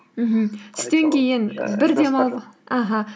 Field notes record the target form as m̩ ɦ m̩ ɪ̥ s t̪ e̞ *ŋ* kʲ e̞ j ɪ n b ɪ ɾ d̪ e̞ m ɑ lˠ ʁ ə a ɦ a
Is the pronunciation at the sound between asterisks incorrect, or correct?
correct